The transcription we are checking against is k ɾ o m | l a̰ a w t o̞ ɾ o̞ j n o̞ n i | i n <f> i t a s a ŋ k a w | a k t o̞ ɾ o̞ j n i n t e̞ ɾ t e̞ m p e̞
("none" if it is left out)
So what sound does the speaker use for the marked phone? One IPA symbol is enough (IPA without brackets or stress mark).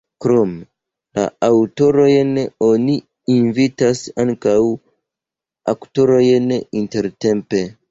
v